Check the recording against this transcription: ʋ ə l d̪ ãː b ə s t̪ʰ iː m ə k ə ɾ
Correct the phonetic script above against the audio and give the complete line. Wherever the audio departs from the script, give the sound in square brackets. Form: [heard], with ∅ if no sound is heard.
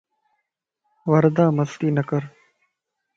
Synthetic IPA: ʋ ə [ɾ] d̪ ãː [m] ə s [t̪] iː [n] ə k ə ɾ

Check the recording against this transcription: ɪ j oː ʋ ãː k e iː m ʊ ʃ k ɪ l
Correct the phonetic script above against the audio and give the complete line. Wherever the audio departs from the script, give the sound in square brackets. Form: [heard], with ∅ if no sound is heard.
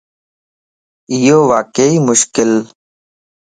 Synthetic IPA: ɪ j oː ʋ [aː] k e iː m ʊ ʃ k ɪ l

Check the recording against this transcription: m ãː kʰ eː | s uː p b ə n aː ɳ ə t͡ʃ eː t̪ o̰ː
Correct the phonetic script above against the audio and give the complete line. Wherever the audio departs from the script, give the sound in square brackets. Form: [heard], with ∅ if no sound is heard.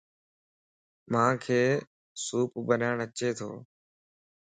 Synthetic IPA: m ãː kʰ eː | s uː p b ə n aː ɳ ə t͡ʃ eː [t̪ʰ] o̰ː

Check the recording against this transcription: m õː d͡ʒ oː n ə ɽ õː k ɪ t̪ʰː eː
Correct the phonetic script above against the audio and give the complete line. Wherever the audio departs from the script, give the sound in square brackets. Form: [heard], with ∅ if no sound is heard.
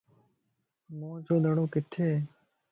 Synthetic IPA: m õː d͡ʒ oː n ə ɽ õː k ɪ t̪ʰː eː

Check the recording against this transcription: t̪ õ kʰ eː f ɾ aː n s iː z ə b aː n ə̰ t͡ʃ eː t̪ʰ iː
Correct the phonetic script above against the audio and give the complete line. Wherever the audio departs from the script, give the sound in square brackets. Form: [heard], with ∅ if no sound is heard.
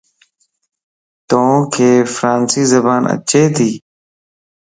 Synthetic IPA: t̪ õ kʰ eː f ɾ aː n s iː z ə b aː n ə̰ t͡ʃ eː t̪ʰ iː

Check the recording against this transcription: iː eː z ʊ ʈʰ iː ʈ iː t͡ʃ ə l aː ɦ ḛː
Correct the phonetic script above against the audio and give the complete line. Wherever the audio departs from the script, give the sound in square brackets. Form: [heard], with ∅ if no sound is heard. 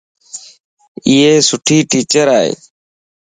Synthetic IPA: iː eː [s] ʊ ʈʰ iː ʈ iː t͡ʃ ə [ɾ] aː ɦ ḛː

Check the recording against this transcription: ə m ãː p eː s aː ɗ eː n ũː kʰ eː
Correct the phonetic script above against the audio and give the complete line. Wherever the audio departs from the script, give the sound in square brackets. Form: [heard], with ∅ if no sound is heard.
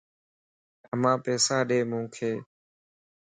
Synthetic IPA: ə m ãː p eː s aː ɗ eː [m] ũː kʰ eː

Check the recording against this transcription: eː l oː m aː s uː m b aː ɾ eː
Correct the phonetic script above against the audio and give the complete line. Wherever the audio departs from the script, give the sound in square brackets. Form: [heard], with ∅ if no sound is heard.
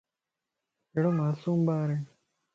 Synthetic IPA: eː [ɽ] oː m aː s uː m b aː ɾ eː

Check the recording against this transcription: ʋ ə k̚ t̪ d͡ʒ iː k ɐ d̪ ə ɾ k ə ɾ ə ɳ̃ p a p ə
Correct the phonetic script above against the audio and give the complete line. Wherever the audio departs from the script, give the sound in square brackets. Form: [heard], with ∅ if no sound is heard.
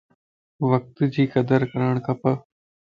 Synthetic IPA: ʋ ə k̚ t̪ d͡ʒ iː k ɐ d̪ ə ɾ k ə ɾ ə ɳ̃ [k] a p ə

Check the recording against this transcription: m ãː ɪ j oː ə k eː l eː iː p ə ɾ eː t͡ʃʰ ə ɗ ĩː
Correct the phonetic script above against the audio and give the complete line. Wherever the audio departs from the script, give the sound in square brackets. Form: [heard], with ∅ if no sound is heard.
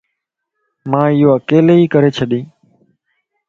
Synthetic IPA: m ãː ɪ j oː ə k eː l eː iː [k] ə ɾ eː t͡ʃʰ ə ɗ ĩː

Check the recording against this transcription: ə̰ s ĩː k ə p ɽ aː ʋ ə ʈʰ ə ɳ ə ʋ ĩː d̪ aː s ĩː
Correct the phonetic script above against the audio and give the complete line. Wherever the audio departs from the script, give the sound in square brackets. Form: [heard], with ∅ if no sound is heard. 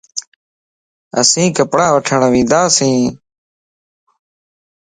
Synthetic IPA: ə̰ s ĩː k ə p ɽ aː ʋ ə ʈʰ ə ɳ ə ʋ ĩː d̪ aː s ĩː

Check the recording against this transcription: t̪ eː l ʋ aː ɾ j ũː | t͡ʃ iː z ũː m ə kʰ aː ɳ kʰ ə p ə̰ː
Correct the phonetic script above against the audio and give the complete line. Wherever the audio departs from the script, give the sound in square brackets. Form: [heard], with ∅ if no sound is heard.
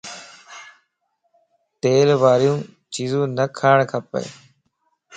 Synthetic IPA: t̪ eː l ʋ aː ɾ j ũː | t͡ʃ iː z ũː [n] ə kʰ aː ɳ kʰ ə p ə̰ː

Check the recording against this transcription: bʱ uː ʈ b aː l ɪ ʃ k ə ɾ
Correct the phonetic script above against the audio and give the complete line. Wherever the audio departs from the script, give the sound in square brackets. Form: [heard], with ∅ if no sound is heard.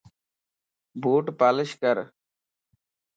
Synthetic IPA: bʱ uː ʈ [p] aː l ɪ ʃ k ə ɾ

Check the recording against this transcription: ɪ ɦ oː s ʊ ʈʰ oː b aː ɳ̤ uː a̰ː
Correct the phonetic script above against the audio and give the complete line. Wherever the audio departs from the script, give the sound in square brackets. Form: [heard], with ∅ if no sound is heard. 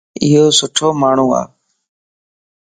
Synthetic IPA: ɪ ɦ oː s ʊ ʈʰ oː [m] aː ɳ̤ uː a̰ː

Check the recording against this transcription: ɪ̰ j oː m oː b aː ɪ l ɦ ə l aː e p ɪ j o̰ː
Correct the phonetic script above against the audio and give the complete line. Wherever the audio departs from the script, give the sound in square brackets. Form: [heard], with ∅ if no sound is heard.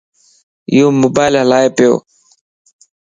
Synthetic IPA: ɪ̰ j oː m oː b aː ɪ l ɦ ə l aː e p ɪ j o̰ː

